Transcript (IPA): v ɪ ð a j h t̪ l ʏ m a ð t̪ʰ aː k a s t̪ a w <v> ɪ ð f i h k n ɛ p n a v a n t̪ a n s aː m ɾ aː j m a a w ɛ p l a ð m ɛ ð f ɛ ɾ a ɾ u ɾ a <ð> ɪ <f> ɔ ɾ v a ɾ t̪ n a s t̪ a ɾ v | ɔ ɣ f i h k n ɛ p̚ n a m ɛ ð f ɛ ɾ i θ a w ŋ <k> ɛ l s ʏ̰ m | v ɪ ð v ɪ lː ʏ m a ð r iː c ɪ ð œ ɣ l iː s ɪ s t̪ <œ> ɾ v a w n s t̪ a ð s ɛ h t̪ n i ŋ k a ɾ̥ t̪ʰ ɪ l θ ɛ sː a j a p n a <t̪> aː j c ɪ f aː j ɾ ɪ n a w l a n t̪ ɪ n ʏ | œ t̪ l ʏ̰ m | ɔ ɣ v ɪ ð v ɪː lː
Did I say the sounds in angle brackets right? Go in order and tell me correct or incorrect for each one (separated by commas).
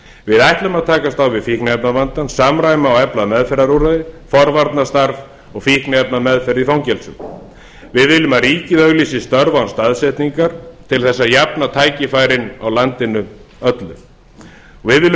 correct, correct, correct, incorrect, correct, incorrect